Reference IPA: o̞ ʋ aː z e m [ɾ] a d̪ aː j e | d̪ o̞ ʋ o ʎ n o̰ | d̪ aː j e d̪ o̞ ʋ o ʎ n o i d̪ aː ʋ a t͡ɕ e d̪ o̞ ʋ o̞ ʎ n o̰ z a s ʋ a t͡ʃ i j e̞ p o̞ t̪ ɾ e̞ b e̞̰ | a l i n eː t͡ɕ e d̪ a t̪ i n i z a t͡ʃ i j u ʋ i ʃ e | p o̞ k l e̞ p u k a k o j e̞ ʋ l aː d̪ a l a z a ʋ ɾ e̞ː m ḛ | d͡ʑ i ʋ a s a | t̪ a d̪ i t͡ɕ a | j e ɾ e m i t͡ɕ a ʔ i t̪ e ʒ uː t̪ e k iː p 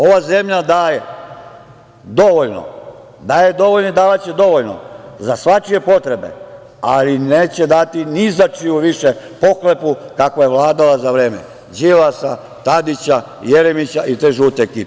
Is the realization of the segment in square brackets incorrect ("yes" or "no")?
yes